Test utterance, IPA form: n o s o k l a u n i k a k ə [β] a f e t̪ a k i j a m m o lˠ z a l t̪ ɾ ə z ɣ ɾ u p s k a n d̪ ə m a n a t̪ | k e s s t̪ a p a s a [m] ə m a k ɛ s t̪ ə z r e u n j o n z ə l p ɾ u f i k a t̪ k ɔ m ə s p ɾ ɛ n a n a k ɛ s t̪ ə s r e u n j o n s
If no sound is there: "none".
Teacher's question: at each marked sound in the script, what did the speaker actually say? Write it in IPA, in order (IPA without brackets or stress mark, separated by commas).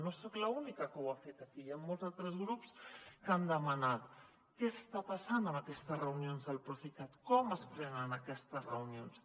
w, n